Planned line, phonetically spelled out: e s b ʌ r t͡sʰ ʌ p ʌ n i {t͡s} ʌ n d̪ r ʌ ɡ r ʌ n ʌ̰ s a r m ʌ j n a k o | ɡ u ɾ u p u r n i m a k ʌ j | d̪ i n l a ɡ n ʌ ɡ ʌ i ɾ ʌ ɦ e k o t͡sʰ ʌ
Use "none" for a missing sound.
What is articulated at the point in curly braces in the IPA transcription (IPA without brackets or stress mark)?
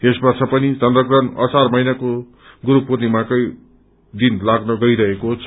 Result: t͡s